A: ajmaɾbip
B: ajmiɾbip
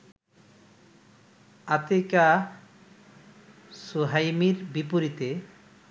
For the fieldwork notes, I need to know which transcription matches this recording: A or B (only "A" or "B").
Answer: B